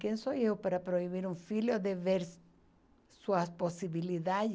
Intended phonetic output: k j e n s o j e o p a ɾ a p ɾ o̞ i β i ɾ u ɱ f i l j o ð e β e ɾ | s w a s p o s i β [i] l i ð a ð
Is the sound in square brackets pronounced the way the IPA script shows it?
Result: yes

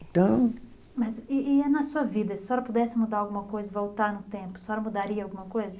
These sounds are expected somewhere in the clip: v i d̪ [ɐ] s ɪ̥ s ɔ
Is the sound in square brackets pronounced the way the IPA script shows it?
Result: yes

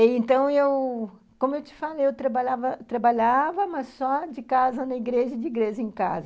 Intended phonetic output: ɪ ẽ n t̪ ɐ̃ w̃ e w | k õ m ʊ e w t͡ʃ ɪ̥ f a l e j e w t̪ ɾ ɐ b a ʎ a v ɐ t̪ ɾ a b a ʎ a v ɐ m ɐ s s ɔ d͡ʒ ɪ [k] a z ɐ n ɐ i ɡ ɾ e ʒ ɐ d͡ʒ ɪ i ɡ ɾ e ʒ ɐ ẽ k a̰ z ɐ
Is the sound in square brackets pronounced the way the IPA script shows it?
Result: yes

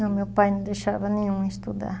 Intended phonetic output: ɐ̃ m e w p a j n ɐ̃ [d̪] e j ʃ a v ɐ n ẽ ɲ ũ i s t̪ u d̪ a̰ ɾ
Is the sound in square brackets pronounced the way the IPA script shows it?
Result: yes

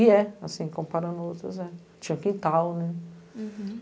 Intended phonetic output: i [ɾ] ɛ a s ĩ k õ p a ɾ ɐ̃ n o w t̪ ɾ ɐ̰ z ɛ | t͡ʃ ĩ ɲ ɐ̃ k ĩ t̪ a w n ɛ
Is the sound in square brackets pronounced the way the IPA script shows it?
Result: no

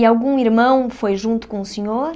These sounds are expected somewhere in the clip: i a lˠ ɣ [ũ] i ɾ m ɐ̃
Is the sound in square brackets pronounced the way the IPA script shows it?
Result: yes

